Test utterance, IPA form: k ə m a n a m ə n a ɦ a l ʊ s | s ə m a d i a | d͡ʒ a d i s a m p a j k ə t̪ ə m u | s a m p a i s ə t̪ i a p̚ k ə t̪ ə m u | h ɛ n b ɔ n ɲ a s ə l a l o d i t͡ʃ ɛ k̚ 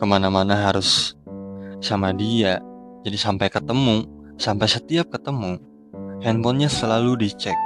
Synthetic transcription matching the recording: k ə m a n a m a n a ɦ a ɾ ʊ s | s a m a d i a | d͡ʒ a d i s a m p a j k ə t̪ ə m u | s a m p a j s ə t̪ i a p̚ k ə t̪ ə m u | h ɛ n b ɔ n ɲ a s ə l a l u d i t͡ʃ ɛ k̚